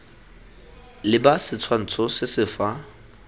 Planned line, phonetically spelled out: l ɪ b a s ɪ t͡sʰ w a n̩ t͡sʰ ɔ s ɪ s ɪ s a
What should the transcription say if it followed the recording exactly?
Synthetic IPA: l ɪ b a s ɪ t͡sʰ w a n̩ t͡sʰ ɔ s ɪ s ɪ f a